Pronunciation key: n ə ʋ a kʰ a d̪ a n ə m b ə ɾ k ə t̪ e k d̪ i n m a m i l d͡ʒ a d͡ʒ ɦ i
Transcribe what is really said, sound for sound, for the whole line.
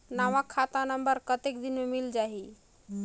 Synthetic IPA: n a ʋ a kʰ a t̪ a n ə m b ə ɾ k ə t̪ e k d̪ i n m e m i l d͡ʒ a ɦ i